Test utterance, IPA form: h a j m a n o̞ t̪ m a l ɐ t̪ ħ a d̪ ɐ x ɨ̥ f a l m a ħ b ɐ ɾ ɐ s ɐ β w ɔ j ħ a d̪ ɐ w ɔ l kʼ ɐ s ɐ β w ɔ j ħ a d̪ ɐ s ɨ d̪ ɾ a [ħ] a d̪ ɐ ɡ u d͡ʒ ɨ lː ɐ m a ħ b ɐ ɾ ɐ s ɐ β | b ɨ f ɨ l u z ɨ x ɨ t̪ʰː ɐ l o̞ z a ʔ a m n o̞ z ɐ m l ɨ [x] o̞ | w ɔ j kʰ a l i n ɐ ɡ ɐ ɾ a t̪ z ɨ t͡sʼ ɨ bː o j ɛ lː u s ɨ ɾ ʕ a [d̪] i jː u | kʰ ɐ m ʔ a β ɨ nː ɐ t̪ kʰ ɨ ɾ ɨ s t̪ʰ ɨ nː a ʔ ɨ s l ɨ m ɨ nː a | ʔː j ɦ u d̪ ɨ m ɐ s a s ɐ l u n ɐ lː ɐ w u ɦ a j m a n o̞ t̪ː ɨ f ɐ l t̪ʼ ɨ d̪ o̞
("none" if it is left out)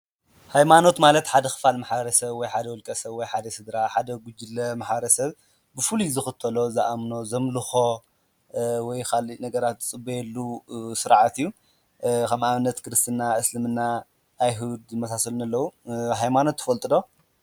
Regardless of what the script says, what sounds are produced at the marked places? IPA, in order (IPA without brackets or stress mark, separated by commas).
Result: ħ, x, t̪